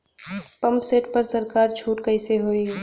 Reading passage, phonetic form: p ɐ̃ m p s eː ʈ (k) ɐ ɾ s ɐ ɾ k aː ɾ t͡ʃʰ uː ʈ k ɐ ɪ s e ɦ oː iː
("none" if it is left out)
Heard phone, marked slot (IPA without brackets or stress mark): p